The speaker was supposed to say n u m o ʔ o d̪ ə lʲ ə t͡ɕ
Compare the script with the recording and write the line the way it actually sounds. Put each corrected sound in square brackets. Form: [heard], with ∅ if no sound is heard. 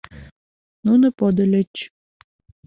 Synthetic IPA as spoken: n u [n] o [p] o d̪ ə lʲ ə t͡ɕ